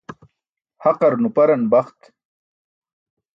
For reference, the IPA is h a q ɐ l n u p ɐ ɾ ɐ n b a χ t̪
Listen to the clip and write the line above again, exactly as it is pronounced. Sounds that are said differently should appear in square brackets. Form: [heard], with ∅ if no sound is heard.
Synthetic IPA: h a q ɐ [ɾ] n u p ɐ ɾ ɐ n b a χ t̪